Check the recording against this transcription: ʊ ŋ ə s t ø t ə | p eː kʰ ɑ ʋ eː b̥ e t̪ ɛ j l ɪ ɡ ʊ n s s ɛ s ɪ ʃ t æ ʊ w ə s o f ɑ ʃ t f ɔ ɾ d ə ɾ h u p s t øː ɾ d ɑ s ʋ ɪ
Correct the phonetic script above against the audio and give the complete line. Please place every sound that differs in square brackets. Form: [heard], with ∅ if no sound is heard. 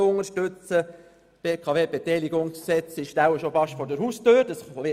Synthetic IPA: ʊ ŋ ə [ʃ] t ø [t͡s] ə | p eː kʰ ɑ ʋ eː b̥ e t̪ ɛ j l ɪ ɡ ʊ [ŋ] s s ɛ [t͡s] ɪ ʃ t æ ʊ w ə [ʃ] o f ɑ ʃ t f ɔ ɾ d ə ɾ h u [∅] s t øː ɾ d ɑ s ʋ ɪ